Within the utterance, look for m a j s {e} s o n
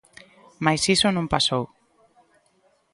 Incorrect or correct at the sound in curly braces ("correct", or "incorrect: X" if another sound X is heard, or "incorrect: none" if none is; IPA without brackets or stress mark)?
incorrect: i